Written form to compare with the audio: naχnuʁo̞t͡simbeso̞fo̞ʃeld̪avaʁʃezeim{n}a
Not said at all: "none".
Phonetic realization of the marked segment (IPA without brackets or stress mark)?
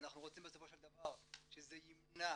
n